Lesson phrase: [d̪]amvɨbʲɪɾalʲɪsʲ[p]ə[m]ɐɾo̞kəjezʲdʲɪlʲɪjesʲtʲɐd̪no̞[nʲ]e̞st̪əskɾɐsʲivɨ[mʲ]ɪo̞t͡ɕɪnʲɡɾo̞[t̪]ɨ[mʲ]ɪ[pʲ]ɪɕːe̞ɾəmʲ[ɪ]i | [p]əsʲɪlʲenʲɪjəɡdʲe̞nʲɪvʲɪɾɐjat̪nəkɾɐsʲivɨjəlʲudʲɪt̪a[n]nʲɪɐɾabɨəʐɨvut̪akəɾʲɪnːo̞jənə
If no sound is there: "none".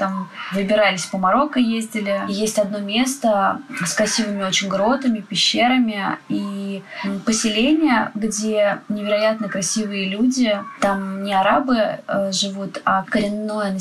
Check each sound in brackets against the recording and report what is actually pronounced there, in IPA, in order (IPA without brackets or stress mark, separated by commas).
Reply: t̪, p, m, mʲ, mʲ, t̪, mʲ, pʲ, ɪ, p, m